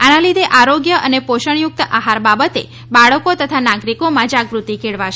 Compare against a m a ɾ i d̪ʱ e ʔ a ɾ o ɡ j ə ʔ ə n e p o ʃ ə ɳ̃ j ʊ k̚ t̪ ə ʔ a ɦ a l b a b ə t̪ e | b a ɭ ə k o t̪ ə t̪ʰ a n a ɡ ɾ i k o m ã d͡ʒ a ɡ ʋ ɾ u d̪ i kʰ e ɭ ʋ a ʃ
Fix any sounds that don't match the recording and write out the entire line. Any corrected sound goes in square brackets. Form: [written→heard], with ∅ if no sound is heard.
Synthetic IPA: a [m→n] a [ɾ→l] i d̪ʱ e ʔ a ɾ o ɡ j ə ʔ ə n e p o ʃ ə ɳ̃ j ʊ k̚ t̪ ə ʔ a ɦ a [l→ɾ] b a b ə t̪ e | b a ɭ ə k o t̪ ə t̪ʰ a n a ɡ ɾ i k o m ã d͡ʒ a ɡ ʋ ɾ u [d̪→t̪] i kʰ e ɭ ʋ a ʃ